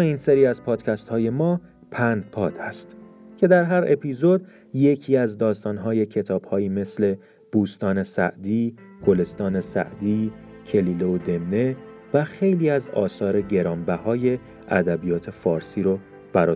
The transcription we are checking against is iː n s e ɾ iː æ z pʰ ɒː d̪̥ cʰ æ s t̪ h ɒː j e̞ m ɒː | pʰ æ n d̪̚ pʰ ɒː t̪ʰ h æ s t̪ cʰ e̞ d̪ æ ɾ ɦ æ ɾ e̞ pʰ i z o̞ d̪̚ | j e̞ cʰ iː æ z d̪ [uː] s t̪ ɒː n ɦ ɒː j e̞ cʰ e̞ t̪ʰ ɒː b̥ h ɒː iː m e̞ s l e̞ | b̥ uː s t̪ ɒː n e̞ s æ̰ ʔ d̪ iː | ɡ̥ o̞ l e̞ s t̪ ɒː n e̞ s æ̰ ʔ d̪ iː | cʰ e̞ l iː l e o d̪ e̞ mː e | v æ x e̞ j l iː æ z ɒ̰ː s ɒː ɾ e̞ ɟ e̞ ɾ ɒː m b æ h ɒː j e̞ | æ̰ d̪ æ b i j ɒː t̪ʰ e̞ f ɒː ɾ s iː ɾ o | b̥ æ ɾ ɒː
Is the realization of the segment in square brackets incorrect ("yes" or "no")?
yes